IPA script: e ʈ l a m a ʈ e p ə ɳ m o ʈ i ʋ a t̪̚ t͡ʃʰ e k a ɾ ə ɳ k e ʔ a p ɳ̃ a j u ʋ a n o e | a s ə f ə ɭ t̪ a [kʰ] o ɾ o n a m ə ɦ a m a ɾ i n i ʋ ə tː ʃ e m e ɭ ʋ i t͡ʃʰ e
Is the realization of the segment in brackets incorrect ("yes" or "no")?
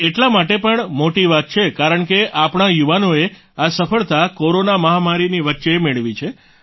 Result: yes